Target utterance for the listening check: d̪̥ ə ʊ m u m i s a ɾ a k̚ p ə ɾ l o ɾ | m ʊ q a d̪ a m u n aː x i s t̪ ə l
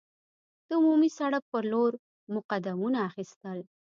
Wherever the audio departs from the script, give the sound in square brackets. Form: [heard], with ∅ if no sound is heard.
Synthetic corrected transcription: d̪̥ ə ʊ m u m i s a [ɽ] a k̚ p ə ɾ l o ɾ | m ʊ q a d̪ a m u n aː x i s t̪ ə l